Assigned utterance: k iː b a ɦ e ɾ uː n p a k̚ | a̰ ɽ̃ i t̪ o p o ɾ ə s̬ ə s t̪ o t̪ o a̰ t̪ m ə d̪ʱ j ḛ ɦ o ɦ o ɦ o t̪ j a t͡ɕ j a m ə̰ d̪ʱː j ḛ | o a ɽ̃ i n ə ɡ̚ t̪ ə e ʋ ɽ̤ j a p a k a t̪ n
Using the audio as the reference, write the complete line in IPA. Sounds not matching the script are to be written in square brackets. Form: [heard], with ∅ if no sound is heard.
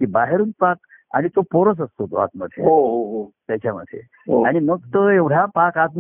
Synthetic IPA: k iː b a ɦ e ɾ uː n p a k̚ | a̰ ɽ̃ i t̪ o p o ɾ ə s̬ ə s t̪ o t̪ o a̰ t̪ m ə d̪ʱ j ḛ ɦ o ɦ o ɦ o t̪ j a t͡ɕ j a m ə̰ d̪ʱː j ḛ | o a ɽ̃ i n ə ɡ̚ t̪ ə e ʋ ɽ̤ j a p a k a t̪ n